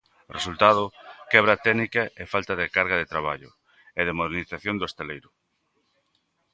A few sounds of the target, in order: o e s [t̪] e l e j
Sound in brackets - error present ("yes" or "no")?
no